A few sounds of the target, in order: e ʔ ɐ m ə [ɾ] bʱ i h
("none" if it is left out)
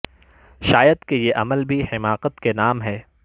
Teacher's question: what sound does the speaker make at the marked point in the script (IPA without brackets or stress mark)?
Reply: l